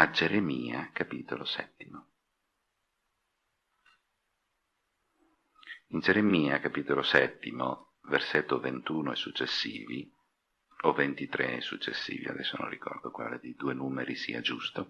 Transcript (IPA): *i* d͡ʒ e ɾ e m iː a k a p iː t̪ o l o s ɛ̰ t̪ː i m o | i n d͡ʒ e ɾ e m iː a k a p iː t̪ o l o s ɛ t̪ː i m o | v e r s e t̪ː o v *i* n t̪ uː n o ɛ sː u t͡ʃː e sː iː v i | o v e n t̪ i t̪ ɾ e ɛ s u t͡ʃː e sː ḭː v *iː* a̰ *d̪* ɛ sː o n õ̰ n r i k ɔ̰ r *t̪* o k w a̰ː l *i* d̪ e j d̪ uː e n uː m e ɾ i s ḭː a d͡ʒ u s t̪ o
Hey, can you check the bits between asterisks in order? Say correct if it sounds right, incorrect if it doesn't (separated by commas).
incorrect, incorrect, incorrect, correct, incorrect, incorrect